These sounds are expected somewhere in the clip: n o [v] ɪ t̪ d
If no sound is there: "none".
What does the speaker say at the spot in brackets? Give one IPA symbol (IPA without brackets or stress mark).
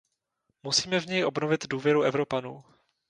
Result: v